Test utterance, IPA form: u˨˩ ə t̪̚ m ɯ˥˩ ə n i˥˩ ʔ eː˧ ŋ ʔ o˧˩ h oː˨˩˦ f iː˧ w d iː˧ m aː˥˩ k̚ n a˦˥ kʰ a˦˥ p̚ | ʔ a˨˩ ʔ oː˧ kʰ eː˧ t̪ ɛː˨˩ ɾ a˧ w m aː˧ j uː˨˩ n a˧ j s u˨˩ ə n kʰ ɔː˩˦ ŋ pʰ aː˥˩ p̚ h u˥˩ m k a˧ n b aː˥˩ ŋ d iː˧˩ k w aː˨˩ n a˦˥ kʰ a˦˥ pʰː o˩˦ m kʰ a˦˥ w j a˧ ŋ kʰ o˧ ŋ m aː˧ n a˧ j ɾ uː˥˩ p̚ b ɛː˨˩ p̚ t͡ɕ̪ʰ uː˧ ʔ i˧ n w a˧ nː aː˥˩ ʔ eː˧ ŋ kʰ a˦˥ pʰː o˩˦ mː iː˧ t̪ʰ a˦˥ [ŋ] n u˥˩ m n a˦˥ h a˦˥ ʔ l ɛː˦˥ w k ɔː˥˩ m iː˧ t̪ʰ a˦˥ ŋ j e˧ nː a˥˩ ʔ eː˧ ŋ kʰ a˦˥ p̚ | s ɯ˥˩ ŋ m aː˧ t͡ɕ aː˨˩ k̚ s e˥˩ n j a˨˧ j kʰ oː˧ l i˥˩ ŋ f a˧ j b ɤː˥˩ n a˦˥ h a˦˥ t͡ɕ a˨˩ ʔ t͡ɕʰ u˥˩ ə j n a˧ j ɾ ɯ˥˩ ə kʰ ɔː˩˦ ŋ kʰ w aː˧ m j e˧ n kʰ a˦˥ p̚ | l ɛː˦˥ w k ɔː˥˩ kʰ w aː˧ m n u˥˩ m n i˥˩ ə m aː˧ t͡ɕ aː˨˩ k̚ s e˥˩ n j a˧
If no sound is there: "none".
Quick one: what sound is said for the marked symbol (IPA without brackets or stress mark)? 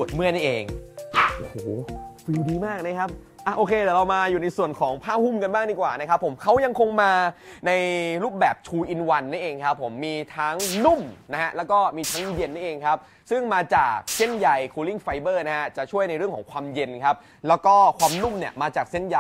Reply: ŋ